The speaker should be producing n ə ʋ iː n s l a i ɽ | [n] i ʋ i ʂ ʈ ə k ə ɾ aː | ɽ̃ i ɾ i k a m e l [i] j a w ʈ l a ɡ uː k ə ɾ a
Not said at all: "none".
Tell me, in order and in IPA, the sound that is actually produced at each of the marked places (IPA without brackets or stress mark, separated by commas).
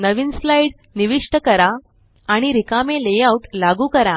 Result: n, e